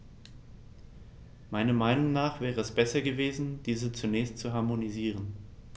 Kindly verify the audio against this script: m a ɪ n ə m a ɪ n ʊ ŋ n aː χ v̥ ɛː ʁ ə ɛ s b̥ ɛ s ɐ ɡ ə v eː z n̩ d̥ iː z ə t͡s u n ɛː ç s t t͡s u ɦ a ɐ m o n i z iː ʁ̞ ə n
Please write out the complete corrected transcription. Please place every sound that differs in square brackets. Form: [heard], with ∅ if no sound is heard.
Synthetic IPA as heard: m a ɪ n [ɐ] m a ɪ n ʊ ŋ n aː χ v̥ ɛː ʁ ə ɛ s b̥ ɛ s ɐ ɡ ə v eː z n̩ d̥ iː z ə t͡s u n ɛː ç s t t͡s u ɦ a ɐ m o n i z iː ʁ̞ ə n